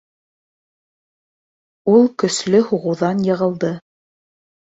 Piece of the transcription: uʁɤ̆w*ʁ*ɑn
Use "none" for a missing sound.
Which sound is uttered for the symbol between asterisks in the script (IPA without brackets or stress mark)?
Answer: ð